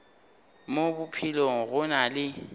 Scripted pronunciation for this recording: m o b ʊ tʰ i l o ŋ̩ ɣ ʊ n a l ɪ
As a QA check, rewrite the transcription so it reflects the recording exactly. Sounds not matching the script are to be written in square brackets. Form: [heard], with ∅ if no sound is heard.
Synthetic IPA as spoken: m o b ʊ [pʰ] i l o ŋ̩ ɣ ʊ n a l ɪ

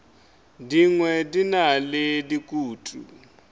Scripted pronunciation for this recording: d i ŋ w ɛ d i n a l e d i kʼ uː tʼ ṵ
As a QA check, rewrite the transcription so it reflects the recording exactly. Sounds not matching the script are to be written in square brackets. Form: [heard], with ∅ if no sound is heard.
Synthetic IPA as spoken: d i ŋ w ɛ d i n a l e d i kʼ uː tʼ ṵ

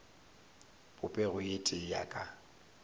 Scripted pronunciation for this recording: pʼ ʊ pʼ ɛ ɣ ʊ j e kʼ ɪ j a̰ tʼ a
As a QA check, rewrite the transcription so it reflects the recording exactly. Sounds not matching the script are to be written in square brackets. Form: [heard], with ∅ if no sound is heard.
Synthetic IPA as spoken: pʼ ʊ pʼ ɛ ɣ ʊ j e [tʼ] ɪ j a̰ [kʼ] a

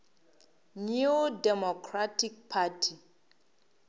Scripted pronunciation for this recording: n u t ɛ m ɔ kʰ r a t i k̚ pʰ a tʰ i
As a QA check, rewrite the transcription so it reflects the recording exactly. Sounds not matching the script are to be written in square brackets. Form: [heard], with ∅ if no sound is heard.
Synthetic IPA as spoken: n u [d] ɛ m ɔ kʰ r a t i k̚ pʰ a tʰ i

